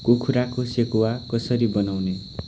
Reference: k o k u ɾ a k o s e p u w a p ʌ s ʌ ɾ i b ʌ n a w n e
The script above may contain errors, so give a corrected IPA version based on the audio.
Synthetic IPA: k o kʰ u ɾ a k o s e k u w a k ʌ s ʌ ɾ i b ʌ n a w n e